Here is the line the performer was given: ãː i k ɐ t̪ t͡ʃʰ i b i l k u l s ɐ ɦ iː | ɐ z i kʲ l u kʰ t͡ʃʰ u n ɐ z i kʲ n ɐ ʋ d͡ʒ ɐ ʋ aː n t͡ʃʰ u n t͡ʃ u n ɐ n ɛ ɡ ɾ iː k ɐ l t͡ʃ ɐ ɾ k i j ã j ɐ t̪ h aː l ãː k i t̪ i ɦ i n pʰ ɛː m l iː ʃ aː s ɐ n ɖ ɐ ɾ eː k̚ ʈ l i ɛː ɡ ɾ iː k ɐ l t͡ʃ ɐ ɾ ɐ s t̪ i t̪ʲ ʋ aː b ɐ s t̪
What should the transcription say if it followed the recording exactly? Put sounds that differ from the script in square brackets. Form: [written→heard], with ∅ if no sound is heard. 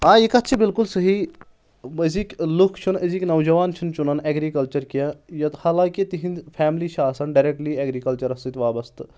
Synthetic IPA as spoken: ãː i k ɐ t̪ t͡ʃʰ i b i l k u l s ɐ ɦ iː | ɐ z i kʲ l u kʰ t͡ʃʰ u n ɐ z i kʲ n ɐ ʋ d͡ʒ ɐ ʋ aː n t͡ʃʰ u n t͡ʃ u n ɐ n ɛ ɡ ɾ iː k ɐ l t͡ʃ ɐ ɾ k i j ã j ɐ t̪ h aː l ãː k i t̪ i ɦ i n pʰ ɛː m l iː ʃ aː s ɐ n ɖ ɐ ɾ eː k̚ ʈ l i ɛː ɡ ɾ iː k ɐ l t͡ʃ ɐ ɾ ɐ s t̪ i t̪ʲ ʋ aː b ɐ s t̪

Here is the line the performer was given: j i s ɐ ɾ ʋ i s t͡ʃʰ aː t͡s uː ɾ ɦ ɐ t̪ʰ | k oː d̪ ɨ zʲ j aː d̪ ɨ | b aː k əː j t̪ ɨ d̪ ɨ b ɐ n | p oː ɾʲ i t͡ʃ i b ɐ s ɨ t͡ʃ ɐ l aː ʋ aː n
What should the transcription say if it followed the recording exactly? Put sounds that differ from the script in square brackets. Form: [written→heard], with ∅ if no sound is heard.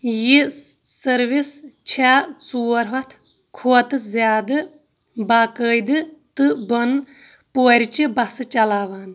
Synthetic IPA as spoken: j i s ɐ ɾ ʋ i s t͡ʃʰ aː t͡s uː ɾ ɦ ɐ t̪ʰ | [k→kʰ] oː [d̪→t̪] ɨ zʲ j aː d̪ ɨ | b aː k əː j [t̪→d̪] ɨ [d̪→t̪] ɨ b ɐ n | p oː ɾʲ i t͡ʃ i b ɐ s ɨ t͡ʃ ɐ l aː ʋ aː n

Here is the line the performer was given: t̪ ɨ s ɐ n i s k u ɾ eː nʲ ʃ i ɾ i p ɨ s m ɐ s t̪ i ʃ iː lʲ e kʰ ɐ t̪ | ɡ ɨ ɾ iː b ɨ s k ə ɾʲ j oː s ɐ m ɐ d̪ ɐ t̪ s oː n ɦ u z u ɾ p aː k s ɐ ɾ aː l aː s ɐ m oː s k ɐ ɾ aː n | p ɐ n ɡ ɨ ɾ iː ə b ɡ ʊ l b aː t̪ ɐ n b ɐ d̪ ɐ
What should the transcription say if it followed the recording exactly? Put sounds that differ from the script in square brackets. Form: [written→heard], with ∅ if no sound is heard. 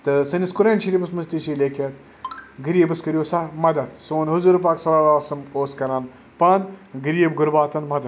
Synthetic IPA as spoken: t̪ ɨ s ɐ n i s k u ɾ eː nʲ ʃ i ɾ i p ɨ s m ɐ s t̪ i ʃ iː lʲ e kʰ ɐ t̪ | ɡ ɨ ɾ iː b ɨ s k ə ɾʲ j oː s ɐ m ɐ d̪ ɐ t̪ s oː n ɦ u z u ɾ p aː k s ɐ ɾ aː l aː s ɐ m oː s k ɐ ɾ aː n | p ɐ n ɡ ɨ ɾ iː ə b ɡ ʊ [l→ɾ] b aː t̪ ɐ n [b→m] ɐ d̪ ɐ

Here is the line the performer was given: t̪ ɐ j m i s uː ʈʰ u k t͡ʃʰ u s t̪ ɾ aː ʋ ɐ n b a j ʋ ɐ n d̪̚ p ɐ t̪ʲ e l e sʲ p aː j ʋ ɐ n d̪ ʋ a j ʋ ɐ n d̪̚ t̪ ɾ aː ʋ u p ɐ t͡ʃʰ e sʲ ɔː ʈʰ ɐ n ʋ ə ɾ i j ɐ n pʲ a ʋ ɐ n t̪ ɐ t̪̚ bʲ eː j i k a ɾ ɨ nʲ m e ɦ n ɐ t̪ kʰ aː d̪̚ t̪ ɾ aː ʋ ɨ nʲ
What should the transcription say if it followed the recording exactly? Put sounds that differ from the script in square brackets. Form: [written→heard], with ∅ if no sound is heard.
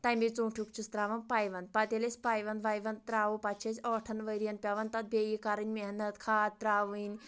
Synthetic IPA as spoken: t̪ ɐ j m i [s→t͡s] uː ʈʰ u k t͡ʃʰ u s t̪ ɾ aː ʋ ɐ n [b→p] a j ʋ ɐ n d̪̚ p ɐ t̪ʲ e l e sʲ p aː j ʋ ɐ n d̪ ʋ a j ʋ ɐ n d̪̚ t̪ ɾ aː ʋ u p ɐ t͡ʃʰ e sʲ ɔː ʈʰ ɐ n ʋ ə ɾ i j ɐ n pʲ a ʋ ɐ n t̪ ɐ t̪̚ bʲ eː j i k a ɾ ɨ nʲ m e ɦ n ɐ t̪ kʰ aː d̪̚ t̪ ɾ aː ʋ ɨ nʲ

